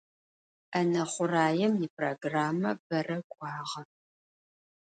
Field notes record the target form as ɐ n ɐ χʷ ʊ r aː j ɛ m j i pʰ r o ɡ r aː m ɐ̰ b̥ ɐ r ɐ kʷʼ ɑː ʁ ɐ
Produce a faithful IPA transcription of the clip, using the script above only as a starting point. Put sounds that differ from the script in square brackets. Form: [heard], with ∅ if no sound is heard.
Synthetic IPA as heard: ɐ n ɐ χʷ ʊ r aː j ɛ m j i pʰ r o ɡ r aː m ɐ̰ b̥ ɐ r ɐ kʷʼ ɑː ʁ ɐ